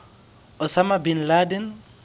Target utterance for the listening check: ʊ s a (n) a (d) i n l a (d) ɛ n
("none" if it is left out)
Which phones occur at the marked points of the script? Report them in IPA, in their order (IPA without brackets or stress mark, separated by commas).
m, b, d